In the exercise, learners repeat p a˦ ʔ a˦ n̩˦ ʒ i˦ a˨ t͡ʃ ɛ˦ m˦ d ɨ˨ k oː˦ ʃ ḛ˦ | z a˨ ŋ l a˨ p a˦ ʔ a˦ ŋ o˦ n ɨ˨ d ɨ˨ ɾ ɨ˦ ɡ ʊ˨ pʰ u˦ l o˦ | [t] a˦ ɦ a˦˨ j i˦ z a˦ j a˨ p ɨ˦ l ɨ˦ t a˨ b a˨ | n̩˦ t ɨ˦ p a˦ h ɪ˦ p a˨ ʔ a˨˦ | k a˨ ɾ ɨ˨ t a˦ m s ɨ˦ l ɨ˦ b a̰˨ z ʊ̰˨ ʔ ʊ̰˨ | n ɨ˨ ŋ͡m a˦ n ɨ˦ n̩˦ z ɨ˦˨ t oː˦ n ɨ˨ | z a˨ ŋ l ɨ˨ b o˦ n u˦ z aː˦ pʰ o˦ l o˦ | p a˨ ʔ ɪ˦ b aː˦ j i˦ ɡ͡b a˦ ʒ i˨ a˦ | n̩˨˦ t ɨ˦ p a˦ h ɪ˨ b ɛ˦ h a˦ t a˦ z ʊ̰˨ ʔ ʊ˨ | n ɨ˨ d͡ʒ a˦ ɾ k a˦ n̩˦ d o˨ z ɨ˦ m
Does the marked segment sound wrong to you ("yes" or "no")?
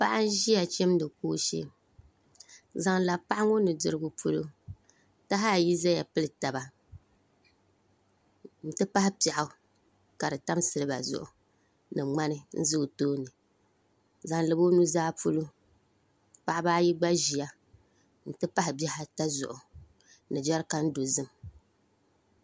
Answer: no